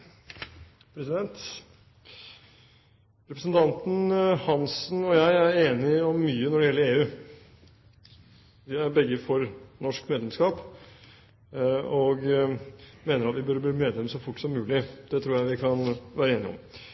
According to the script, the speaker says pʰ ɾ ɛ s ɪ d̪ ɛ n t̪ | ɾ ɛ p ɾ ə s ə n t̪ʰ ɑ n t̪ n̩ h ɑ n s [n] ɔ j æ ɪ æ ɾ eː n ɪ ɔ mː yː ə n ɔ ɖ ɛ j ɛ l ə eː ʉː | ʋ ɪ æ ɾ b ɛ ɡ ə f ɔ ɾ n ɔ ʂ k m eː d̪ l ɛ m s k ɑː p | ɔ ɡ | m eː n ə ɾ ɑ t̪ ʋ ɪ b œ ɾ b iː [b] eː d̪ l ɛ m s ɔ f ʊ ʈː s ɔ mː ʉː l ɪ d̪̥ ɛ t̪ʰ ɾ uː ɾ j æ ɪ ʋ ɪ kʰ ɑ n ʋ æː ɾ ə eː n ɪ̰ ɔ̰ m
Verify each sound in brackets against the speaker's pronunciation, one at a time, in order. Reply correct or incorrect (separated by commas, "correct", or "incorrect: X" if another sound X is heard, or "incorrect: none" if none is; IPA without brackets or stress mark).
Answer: correct, incorrect: m